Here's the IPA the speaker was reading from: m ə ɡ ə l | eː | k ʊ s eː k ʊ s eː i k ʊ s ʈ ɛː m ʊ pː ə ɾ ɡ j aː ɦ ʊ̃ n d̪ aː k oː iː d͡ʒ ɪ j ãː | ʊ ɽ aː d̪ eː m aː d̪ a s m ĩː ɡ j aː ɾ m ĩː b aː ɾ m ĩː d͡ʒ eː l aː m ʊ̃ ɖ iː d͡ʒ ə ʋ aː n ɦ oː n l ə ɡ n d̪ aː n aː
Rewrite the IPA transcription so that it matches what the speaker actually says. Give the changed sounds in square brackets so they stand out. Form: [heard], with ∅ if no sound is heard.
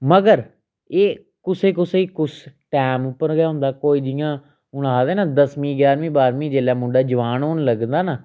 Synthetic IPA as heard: m ə ɡ ə [ɾ] | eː | k ʊ s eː k ʊ s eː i k ʊ s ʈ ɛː m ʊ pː ə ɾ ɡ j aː ɦ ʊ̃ n d̪ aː k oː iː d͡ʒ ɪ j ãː | ʊ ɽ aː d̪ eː [n] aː d̪ [ə] s m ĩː ɡ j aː ɾ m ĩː b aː ɾ m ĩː d͡ʒ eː l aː m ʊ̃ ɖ [aː] d͡ʒ ə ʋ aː n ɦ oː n l ə ɡ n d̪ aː n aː